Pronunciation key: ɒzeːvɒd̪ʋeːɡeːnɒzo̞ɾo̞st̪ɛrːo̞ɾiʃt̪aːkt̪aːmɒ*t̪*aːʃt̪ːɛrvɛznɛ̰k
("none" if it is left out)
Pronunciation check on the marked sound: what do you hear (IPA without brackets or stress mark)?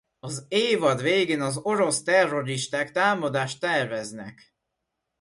d̪